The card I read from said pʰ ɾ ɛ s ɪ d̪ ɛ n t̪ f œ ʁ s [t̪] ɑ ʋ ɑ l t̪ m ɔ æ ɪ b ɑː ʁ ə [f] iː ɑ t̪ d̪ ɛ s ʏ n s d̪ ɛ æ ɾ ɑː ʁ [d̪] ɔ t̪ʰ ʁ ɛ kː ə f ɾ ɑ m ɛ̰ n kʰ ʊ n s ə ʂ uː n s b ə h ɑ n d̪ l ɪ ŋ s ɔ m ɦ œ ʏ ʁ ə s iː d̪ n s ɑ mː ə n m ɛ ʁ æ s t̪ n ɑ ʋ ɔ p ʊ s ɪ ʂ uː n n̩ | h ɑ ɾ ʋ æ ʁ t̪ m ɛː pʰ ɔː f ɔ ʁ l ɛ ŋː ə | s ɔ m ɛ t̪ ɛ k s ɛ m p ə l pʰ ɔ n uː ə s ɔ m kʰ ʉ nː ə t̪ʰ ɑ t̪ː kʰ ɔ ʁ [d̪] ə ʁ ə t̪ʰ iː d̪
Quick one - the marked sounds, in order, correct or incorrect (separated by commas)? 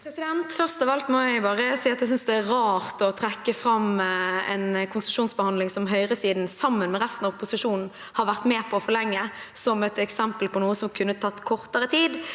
correct, incorrect, incorrect, incorrect